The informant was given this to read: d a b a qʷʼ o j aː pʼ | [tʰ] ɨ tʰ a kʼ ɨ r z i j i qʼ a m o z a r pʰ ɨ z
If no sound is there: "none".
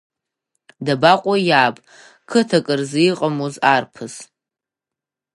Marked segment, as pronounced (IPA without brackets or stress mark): kʰ